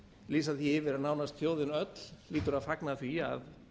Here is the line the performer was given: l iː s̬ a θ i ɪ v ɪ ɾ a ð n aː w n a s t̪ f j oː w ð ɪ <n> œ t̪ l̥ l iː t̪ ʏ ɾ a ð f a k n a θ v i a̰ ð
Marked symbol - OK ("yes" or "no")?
yes